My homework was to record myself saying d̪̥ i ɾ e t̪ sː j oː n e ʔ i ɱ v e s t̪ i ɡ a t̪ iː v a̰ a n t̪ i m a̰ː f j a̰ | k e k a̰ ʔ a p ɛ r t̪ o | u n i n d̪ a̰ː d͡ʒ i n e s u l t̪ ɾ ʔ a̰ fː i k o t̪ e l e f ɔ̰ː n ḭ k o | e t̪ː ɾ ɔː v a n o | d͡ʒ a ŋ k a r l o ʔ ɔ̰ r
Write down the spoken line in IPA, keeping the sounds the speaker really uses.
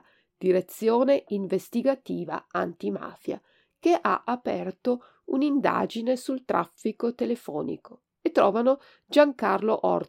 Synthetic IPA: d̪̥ i ɾ e t̪ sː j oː n e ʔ i ɱ v e s t̪ i ɡ a t̪ iː v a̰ a n t̪ i m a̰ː f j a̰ | k e ʔ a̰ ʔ a p ɛ r t̪ o | u n i n d̪ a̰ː d͡ʒ i n e s u l t̪ ɾ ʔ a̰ fː i k o t̪ e l e f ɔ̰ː n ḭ k o | e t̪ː ɾ ɔː v a n o | d͡ʒ a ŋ k a r l o ʔ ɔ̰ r